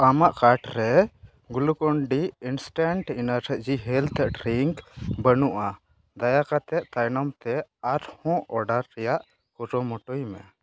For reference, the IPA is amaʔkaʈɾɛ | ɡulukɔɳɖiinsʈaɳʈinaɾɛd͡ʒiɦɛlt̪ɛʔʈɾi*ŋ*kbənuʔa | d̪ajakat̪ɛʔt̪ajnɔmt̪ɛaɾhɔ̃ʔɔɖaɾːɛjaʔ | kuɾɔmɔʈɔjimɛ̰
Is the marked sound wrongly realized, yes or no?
no